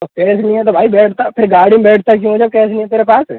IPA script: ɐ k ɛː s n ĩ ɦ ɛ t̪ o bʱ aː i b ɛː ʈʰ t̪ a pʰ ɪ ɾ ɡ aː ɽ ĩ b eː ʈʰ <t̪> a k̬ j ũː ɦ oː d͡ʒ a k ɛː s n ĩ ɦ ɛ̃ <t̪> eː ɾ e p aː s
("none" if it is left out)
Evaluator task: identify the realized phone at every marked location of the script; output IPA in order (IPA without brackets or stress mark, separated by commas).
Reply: t̪, t̪